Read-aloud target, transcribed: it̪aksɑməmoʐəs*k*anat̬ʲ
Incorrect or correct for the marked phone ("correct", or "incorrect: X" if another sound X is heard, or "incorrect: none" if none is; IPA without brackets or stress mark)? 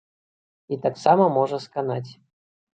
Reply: correct